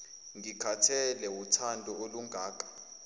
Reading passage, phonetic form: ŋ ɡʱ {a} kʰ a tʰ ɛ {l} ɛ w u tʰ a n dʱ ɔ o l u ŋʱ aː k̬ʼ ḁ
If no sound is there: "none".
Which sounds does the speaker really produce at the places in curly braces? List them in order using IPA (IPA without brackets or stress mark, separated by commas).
i, l